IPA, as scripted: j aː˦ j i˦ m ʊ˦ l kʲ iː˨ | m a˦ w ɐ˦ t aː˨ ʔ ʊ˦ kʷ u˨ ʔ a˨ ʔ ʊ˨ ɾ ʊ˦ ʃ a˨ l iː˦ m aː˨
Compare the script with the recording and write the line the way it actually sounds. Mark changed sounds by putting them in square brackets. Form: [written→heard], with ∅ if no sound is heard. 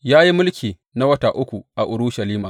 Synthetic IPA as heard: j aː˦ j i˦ m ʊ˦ l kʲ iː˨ | [m→n] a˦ w ɐ˦ t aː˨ ʔ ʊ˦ kʷ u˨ ʔ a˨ ʔ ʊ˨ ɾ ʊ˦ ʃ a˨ l iː˦ m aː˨